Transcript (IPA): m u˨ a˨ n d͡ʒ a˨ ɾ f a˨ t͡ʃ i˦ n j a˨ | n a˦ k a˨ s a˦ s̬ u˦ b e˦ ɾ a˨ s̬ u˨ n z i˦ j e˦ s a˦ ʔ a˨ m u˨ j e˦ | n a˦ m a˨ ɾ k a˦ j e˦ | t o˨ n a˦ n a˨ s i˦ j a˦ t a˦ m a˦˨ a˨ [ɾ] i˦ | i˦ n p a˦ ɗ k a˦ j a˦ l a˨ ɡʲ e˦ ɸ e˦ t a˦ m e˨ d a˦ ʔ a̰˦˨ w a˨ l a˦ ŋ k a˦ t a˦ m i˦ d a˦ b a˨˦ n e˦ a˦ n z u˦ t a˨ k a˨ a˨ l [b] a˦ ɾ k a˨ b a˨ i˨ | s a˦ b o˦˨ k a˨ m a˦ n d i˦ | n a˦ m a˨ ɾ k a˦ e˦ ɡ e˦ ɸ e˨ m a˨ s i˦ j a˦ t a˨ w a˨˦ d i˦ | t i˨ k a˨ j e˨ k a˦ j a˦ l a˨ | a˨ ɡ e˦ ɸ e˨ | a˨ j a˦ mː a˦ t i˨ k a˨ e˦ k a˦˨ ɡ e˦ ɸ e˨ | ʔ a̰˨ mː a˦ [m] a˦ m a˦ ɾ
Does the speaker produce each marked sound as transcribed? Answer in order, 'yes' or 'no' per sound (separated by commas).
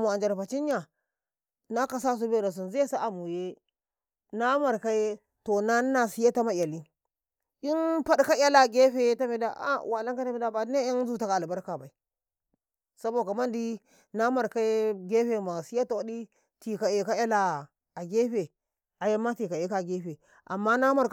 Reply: no, yes, no